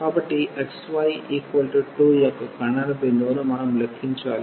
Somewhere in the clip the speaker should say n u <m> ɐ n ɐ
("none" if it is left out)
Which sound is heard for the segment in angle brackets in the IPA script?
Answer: m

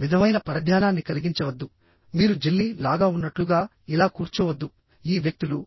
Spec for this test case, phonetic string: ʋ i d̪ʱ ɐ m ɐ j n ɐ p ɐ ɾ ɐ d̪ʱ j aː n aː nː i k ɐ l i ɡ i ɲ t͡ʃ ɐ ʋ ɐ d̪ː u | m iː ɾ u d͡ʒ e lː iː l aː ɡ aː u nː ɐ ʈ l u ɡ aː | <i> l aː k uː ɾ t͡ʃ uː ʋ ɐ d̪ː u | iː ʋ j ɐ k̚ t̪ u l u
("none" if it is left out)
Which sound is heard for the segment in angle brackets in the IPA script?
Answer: i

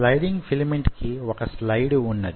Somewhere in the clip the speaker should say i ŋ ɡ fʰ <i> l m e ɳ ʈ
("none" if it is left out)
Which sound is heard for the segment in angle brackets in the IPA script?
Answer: i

